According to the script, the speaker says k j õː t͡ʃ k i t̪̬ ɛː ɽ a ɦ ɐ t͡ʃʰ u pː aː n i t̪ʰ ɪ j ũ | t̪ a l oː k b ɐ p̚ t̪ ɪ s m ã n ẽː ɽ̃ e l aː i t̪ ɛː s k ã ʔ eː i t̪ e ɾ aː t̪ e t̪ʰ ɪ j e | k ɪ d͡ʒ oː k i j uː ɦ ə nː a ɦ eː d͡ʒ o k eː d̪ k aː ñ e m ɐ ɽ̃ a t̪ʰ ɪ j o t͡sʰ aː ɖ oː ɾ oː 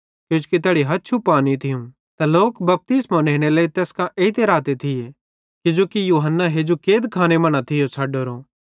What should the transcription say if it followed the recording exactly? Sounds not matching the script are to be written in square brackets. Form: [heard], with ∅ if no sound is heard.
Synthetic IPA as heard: k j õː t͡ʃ k i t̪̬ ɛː ɽ [i] ɦ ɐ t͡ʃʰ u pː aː n i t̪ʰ ɪ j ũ | t̪ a l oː k b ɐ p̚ t̪ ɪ s m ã n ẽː ɽ̃ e l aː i t̪ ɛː s k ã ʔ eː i t̪ e ɾ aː t̪ e t̪ʰ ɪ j e | k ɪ d͡ʒ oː k i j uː ɦ ə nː a ɦ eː d͡ʒ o k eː d̪ [kʰ] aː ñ e m ɐ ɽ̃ a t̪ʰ ɪ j o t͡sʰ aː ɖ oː ɾ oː

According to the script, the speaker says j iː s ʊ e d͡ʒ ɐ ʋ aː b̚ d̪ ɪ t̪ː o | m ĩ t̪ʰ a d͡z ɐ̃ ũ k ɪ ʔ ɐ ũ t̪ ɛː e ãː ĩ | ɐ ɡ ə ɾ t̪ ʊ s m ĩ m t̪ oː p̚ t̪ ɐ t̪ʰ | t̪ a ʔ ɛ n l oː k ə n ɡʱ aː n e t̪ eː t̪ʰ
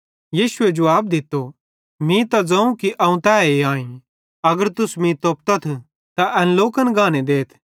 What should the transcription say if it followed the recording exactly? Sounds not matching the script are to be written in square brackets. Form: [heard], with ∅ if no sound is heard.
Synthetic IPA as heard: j iː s ʊ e d͡ʒ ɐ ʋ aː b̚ d̪ ɪ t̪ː o | m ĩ [t̪] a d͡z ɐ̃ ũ k [i] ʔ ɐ ũ t̪ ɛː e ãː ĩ | ɐ ɡ ə ɾ t̪ ʊ s m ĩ [∅] t̪ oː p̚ t̪ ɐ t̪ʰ | t̪ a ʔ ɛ n l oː k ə n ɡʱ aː n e [d̪] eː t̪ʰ

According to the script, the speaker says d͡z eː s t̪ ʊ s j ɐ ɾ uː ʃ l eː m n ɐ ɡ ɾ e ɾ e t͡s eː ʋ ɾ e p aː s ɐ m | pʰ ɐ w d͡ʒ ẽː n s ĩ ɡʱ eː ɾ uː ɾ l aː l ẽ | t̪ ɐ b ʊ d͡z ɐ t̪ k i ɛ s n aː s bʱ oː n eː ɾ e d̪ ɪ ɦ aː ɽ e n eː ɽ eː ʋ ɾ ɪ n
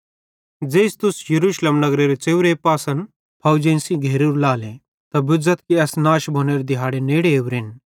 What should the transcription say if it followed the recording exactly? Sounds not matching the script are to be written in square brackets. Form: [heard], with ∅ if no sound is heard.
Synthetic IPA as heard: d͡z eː s t̪ ʊ s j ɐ ɾ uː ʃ l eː m n ɐ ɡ ɾ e ɾ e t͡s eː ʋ ɾ e p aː s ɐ [n] | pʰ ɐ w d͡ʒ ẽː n s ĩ ɡʱ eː ɾ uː ɾ l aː l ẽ | t̪ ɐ b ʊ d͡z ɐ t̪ k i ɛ s n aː [ʃ] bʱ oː n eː ɾ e d̪ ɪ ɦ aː ɽ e n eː ɽ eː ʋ ɾ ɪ n

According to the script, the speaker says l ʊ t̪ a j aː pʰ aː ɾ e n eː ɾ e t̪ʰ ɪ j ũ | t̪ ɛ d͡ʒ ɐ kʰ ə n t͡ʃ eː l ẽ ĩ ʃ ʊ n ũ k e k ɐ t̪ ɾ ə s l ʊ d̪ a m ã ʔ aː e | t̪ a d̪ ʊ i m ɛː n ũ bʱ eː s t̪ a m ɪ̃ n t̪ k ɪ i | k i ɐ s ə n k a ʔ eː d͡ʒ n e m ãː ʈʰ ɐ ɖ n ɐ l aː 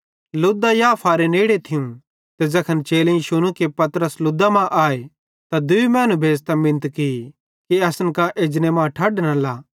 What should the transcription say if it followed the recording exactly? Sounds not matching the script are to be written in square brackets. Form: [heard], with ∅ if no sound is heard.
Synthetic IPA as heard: l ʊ [d̪] a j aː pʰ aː ɾ e n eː [ɽ] e t̪ʰ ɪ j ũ | t̪ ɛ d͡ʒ ɐ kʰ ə n t͡ʃ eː l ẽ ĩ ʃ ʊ n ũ k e [p] ɐ t̪ ɾ ə s l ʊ d̪ a m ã ʔ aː e | t̪ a d̪ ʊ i m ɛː n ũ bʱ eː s t̪ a m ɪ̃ n t̪ k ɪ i | k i ɐ s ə n k a ʔ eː d͡ʒ n e m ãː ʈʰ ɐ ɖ n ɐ l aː

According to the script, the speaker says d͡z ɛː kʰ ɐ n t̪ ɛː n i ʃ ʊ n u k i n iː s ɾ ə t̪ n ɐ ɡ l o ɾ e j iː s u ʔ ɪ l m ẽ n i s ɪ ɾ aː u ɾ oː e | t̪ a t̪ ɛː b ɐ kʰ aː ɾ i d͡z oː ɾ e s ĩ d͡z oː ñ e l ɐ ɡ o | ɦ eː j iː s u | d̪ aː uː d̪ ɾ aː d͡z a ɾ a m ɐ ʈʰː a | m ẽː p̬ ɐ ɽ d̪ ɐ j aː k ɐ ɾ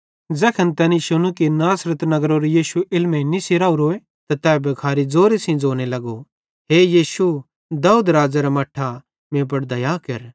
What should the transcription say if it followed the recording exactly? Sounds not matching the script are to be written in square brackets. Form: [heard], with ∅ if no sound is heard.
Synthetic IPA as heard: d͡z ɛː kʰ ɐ n t̪ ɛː n i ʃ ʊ n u k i n [aː] s ɾ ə t̪ n ɐ ɡ [ɾ] o ɾ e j iː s u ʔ ɪ l m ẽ n i s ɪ ɾ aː u ɾ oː e | t̪ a t̪ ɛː b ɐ kʰ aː ɾ i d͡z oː ɾ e s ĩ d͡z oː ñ e l ɐ ɡ o | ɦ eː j iː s u | d̪ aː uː d̪ ɾ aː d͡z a ɾ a m ɐ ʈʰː a | m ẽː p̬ ɐ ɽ d̪ ɐ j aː k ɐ ɾ

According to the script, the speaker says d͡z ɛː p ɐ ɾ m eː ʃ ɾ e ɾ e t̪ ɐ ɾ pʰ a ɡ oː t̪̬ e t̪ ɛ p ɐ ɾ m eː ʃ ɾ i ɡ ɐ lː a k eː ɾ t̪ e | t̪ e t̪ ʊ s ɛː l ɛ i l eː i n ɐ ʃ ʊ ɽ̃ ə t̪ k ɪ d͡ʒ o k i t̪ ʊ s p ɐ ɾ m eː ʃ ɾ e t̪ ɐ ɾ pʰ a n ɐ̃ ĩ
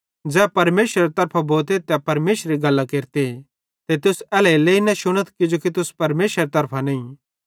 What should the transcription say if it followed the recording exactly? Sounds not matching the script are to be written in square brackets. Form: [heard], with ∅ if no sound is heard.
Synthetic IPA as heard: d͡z ɛː p ɐ ɾ m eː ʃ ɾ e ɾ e t̪ ɐ ɾ pʰ a [b] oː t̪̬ e t̪ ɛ p ɐ ɾ m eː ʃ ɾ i ɡ ɐ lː a k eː ɾ t̪ e | t̪ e t̪ ʊ s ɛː l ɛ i l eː i n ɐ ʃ ʊ ɽ̃ ə t̪ k ɪ d͡ʒ o k i t̪ ʊ s p ɐ ɾ m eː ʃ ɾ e t̪ ɐ ɾ pʰ a n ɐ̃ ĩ

